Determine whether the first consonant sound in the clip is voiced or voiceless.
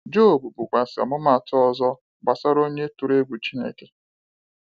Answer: voiced